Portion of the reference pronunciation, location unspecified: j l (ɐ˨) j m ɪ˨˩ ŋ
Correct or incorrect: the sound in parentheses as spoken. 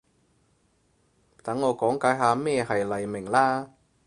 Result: correct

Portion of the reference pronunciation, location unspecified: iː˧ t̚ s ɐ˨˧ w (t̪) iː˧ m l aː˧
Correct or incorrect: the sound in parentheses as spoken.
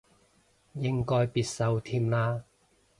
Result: incorrect: t̪ʰ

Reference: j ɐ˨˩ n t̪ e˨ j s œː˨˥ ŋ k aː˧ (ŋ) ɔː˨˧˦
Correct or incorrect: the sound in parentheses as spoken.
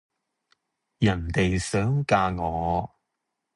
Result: correct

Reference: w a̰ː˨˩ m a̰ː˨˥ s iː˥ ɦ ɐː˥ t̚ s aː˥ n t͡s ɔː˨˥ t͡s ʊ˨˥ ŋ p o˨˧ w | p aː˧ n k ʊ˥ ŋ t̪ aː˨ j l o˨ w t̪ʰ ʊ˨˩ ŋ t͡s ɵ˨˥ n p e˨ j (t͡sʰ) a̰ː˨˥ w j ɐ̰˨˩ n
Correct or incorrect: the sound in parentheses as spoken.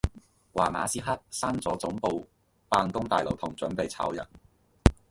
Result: correct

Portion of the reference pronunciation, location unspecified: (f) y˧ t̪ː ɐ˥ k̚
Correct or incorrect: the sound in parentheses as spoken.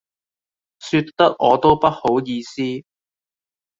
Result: incorrect: s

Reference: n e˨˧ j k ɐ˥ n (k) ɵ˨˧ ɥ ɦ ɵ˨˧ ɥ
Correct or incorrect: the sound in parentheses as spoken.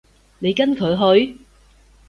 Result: incorrect: kʰ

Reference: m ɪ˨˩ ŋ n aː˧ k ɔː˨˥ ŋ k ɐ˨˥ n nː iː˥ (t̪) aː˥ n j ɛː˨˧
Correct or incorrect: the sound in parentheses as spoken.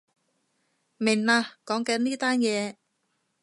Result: correct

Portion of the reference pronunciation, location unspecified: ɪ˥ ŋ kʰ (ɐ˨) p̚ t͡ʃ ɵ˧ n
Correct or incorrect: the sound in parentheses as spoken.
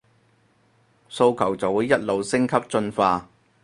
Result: incorrect: ɐ˥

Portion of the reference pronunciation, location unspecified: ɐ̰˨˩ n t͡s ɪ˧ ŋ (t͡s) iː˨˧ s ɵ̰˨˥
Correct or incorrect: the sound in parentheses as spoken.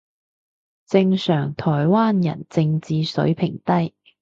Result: correct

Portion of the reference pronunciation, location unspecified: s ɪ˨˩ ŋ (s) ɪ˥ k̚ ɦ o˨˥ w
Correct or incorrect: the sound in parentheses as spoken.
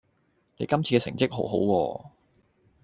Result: incorrect: t͡s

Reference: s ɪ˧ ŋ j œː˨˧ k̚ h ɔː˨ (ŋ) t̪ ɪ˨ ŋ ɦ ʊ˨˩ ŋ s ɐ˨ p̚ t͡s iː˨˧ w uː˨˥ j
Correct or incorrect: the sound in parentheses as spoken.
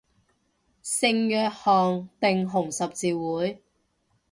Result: correct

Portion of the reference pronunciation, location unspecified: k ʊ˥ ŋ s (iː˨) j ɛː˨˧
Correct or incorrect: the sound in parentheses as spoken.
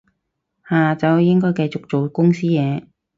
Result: incorrect: iː˥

